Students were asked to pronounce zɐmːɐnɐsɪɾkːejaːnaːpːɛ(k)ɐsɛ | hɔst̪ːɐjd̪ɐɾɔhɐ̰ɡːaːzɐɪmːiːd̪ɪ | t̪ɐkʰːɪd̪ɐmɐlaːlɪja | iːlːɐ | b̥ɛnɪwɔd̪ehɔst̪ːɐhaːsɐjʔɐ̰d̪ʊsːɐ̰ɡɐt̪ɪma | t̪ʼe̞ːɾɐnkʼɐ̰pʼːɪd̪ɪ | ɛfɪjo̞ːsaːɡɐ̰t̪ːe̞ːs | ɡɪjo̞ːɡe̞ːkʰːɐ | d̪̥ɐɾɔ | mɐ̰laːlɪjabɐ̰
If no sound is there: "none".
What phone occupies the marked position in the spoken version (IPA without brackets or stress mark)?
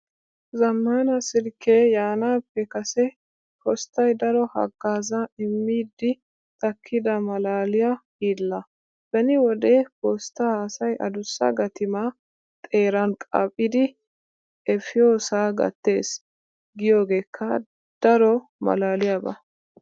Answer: k